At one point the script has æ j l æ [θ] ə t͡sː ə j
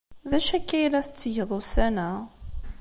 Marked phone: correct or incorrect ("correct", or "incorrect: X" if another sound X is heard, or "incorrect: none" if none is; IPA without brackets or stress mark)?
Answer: correct